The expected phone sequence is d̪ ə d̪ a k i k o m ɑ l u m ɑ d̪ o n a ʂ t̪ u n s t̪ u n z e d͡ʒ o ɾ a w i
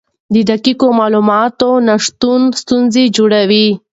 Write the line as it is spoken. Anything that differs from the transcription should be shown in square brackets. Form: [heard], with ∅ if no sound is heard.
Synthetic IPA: d̪ ə d̪ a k i k o m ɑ l u m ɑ [t̪] o n a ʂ t̪ u n s t̪ u n z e d͡ʒ o [ɽ] a w i